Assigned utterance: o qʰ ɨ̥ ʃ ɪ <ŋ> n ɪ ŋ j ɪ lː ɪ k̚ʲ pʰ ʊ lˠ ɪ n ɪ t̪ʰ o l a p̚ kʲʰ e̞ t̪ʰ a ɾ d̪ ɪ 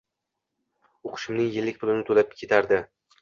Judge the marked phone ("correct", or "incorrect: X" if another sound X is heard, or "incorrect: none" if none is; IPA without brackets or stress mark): incorrect: m